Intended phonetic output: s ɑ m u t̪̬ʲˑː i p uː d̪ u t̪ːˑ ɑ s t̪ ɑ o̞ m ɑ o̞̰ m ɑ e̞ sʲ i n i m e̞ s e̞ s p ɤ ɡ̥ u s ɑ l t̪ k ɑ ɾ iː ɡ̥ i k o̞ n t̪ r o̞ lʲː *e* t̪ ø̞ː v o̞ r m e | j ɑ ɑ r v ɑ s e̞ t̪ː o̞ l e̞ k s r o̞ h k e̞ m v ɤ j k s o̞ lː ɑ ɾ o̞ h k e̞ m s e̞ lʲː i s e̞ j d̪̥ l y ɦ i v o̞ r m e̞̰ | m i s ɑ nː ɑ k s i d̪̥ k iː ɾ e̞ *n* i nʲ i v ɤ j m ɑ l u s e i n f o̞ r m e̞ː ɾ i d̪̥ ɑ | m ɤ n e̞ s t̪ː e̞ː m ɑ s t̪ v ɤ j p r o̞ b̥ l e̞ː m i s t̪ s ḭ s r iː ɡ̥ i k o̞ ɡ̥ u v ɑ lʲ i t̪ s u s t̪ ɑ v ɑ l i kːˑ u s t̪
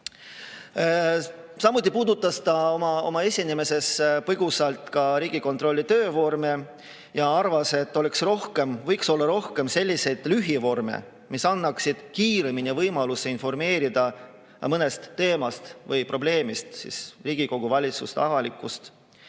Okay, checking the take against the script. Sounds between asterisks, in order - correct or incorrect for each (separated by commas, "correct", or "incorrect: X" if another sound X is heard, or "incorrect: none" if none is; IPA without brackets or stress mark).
incorrect: i, incorrect: m